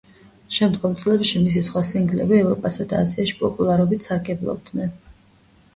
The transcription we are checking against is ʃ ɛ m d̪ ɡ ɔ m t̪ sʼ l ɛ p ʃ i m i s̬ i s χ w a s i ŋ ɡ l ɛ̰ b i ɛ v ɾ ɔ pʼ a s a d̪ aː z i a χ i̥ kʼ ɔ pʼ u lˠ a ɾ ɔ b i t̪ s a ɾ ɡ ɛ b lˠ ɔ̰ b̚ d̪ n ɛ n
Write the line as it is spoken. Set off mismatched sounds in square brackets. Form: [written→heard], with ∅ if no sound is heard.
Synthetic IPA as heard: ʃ ɛ m d̪ ɡ ɔ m t̪ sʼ l ɛ p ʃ i m i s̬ i s χ w a s i ŋ ɡ l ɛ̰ b i ɛ v ɾ ɔ pʼ a s a d̪ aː z i a [χ→ʃ] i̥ [kʼ→pʼ] ɔ pʼ u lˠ a ɾ ɔ b i t̪ s a ɾ ɡ ɛ b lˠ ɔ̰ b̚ d̪ n ɛ n